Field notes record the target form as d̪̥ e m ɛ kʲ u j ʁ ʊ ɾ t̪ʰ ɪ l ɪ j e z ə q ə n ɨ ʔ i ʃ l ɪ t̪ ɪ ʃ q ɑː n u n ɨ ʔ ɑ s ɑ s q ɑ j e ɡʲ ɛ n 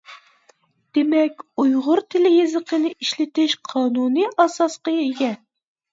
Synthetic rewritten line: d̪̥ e m ɛ kʲ u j ʁ ʊ ɾ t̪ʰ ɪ l ɪ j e z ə q ə n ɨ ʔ i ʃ l ɪ t̪ ɪ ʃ qʰ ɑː n u n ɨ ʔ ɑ s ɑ s q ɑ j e ɡʲ ɛ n